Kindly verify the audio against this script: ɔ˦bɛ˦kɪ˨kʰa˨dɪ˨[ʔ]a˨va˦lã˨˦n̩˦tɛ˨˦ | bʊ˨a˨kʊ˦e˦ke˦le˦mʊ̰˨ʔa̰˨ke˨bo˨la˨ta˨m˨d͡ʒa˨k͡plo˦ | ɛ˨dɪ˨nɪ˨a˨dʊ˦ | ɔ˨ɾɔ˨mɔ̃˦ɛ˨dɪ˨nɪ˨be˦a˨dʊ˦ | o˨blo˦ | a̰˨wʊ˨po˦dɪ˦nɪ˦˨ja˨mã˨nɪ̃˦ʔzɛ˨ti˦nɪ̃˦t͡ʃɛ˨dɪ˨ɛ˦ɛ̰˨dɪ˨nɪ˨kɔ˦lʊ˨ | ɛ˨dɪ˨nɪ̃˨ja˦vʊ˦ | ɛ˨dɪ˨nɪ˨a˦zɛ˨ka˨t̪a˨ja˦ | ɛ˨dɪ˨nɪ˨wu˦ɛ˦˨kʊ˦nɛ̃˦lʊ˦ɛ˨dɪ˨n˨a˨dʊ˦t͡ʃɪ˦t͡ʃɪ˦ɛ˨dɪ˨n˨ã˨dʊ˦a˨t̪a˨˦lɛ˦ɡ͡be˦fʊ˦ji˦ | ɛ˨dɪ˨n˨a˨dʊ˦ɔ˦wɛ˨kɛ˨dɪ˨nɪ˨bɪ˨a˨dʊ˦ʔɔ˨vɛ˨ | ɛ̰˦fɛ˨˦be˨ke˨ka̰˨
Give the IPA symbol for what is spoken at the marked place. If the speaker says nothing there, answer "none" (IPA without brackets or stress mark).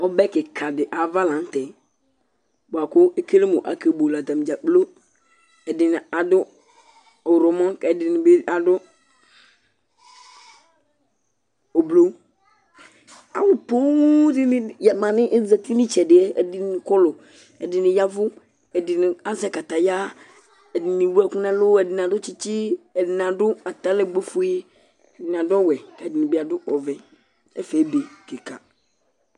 ʔ